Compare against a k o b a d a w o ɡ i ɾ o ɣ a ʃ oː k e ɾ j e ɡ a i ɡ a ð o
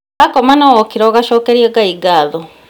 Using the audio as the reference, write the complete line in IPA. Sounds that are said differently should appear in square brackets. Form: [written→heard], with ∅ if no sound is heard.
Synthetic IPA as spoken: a k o [b→m] a [d→n] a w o [ɡ→k] i ɾ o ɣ a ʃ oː k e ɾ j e ɡ a i ɡ a ð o